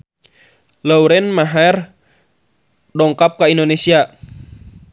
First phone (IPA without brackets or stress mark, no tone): l